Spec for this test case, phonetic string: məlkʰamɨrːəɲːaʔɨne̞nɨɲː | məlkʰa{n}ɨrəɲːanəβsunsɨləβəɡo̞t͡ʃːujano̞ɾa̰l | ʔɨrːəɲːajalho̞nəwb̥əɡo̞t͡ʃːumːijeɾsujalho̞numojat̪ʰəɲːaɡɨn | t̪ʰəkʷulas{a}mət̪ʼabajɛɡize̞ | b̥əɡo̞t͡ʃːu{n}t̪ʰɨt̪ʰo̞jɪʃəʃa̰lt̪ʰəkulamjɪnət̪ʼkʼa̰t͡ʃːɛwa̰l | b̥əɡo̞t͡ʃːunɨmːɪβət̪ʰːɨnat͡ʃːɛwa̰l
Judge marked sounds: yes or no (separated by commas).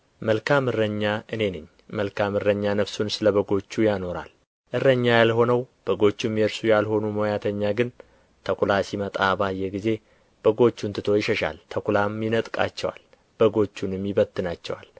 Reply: no, no, yes